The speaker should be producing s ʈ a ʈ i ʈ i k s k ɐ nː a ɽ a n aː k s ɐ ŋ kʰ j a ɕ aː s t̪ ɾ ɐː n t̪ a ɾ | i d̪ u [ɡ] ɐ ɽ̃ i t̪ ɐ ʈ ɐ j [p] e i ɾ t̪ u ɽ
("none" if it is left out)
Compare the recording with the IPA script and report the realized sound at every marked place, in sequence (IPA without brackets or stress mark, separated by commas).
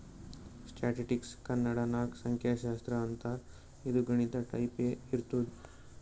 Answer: ɡ, p